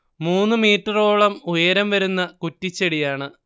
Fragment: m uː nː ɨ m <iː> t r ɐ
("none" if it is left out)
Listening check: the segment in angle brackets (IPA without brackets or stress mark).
iː